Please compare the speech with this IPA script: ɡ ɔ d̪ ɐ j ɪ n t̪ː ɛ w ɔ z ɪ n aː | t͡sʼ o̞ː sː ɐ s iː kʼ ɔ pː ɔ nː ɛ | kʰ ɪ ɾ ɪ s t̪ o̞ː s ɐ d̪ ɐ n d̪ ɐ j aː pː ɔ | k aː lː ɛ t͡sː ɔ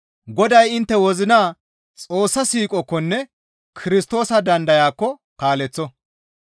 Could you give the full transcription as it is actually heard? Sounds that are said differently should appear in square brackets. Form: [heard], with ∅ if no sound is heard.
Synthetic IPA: ɡ ɔ d̪ ɐ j ɪ n t̪ː ɛ w ɔ z ɪ n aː | t͡sʼ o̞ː sː ɐ s iː kʼ ɔ [kː] ɔ nː ɛ | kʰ ɪ ɾ ɪ s t̪ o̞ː s ɐ d̪ ɐ n d̪ ɐ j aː [kː] ɔ | k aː [l] ɛ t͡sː ɔ